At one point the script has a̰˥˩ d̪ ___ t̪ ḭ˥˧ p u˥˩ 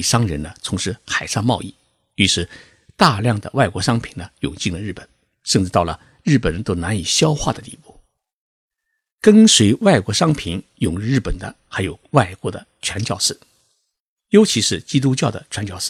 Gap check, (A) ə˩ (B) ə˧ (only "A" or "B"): A